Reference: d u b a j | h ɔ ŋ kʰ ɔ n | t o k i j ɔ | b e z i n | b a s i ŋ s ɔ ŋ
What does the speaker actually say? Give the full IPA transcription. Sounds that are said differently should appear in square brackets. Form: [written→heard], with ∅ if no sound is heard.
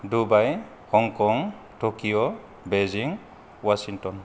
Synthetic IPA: d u b a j | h ɔ ŋ [kʰ→k] ɔ [n→ŋ] | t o k i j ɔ | b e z i [n→ŋ] | [b→w] a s i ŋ [s→t] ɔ [ŋ→n]